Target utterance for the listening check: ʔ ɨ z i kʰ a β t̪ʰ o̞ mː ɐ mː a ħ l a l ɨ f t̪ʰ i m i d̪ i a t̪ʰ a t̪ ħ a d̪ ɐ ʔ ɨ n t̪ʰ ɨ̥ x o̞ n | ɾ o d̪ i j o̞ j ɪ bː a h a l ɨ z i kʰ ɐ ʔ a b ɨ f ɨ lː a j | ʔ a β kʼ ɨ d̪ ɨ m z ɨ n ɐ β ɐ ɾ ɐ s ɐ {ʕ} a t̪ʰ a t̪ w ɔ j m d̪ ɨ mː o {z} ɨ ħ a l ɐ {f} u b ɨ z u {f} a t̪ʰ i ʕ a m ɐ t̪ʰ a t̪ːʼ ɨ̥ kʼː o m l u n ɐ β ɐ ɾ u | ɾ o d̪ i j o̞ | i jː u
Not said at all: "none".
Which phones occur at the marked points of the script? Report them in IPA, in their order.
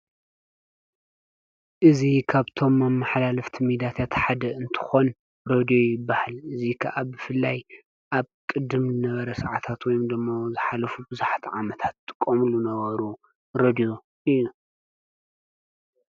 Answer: ʕ, z, f, ħ

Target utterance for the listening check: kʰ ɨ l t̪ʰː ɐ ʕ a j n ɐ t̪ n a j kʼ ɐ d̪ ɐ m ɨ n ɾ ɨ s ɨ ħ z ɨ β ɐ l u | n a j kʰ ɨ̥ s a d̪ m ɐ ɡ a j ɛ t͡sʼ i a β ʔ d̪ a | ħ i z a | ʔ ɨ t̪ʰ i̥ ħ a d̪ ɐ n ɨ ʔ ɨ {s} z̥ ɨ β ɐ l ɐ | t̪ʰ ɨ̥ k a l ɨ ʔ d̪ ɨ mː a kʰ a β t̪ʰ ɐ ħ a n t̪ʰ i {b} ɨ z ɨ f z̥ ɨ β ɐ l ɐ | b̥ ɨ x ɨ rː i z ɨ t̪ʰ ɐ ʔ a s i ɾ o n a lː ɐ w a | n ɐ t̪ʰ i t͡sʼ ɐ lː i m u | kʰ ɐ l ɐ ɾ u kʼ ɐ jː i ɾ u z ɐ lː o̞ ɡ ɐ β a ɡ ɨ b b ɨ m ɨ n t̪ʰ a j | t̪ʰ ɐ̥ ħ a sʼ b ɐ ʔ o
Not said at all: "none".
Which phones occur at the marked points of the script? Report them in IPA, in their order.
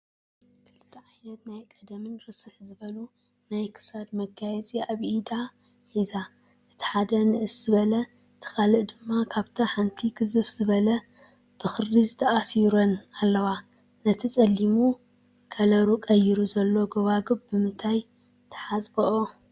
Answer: s, ɡ

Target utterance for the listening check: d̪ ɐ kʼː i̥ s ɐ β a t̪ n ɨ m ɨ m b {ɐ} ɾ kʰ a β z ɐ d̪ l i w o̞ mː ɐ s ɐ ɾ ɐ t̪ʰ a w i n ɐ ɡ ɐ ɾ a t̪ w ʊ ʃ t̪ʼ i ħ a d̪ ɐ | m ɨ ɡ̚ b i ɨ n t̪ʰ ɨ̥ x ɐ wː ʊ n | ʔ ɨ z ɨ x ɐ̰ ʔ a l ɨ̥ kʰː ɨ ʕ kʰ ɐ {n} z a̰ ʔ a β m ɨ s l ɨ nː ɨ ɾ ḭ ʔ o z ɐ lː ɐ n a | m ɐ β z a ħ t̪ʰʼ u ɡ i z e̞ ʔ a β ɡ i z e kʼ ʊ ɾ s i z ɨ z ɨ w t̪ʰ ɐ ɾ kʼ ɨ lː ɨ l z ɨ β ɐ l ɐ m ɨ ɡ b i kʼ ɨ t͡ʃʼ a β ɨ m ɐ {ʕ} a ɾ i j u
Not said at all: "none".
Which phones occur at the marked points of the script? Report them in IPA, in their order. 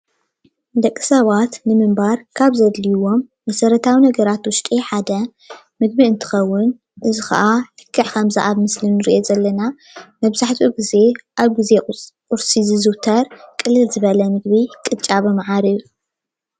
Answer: a, m, ʕ

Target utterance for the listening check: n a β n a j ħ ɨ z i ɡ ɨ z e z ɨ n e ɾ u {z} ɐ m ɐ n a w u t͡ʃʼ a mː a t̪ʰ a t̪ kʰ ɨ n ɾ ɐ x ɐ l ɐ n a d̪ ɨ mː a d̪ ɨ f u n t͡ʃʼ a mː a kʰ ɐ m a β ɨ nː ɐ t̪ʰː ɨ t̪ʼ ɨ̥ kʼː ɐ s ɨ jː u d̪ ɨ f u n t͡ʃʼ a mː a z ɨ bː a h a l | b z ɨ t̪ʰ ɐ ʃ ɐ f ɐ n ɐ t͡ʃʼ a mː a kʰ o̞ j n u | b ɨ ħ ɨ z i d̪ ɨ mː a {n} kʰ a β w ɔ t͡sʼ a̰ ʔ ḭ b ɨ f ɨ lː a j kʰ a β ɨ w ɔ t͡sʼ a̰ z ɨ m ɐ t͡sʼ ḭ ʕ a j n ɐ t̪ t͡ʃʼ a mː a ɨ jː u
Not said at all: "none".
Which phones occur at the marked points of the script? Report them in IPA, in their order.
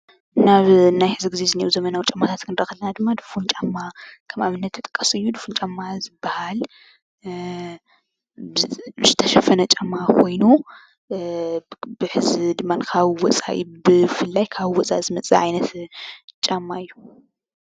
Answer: z, n

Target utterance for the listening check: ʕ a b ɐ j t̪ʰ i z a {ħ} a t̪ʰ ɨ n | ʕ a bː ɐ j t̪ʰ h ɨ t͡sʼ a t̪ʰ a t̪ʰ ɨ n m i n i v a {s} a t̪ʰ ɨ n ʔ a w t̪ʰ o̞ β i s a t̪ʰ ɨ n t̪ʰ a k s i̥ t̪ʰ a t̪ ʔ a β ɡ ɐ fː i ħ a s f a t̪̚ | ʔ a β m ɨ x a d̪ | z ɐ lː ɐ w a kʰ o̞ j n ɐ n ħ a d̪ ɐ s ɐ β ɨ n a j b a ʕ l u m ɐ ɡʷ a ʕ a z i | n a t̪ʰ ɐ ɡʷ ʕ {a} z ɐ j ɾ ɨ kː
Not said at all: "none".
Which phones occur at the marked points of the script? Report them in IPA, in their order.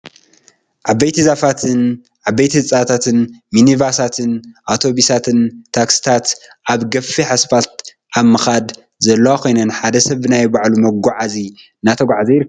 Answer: f, s, a

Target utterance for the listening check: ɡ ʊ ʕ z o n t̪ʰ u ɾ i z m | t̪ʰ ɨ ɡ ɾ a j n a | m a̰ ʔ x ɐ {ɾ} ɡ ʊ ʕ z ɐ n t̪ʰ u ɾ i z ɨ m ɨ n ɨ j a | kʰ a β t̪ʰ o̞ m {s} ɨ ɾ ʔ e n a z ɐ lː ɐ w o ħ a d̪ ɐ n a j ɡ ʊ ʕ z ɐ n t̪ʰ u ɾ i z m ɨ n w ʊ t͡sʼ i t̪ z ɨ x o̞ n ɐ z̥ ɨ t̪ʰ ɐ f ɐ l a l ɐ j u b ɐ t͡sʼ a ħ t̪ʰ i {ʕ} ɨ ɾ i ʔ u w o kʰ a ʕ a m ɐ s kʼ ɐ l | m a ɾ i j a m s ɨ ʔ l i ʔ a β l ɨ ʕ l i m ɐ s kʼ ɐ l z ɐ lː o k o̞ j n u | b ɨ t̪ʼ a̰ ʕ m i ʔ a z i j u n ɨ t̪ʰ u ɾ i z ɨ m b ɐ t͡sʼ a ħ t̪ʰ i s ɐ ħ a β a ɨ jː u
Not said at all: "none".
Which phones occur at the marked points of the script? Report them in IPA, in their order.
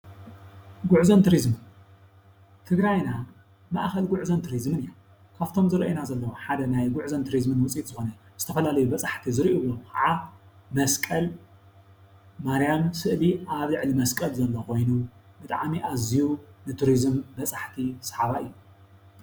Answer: l, z, z

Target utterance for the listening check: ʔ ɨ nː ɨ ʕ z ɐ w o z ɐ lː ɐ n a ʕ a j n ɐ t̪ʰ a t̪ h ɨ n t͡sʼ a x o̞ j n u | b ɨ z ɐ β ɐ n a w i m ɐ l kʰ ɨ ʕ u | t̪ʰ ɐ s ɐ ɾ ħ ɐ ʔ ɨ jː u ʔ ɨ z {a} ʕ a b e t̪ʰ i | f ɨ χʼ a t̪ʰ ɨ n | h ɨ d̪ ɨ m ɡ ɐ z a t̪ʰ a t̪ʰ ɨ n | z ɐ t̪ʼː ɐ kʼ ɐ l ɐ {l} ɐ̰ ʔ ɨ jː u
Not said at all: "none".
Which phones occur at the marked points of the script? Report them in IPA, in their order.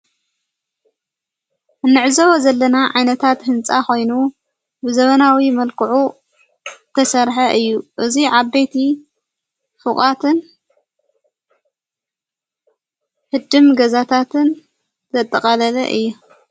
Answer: i, l

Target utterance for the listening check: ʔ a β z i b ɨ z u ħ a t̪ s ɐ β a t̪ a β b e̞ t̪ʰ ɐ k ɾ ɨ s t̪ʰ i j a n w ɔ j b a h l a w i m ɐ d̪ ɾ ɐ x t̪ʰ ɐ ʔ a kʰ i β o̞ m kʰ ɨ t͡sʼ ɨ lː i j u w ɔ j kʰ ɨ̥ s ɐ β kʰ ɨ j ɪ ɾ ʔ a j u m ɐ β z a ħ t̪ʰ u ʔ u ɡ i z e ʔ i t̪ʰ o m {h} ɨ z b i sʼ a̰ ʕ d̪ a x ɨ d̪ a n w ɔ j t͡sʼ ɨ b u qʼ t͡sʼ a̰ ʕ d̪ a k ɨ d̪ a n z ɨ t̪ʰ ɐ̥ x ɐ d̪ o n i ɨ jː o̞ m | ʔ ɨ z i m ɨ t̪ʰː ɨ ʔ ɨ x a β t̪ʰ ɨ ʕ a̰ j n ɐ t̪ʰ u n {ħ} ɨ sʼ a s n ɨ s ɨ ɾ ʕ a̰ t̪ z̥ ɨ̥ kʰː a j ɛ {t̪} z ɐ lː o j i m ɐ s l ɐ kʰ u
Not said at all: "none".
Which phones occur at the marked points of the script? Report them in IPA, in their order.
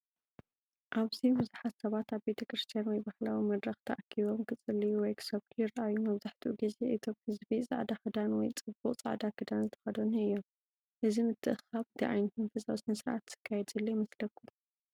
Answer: h, f, d̪

